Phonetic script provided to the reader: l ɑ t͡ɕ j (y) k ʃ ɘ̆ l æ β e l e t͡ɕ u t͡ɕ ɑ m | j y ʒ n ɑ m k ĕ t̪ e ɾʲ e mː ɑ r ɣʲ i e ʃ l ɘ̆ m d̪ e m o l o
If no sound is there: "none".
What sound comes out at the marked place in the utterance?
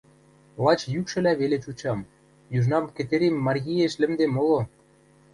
y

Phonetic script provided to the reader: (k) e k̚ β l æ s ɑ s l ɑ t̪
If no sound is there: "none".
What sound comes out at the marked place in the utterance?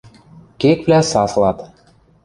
k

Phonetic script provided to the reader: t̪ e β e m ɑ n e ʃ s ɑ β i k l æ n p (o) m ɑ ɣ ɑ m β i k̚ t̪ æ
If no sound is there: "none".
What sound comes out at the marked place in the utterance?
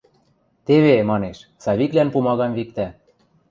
u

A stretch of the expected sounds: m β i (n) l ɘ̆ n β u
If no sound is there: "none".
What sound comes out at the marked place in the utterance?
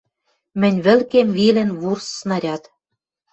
none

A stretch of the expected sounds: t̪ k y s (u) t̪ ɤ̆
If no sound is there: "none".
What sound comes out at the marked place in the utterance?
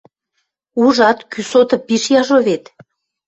o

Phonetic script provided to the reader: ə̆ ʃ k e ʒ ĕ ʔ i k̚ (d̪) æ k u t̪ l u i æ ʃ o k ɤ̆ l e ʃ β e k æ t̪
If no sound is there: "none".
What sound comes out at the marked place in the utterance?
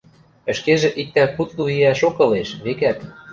t̪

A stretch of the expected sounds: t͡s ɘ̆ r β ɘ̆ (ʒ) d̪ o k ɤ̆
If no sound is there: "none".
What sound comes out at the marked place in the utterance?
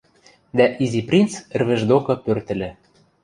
ʒ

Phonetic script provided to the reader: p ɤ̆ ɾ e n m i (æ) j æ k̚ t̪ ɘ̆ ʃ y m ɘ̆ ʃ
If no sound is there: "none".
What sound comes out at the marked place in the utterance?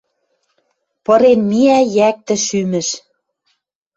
æ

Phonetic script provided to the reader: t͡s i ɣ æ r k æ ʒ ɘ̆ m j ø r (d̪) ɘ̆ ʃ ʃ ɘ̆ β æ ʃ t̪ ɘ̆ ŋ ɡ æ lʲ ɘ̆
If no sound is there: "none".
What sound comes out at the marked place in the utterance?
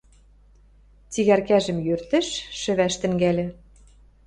t̪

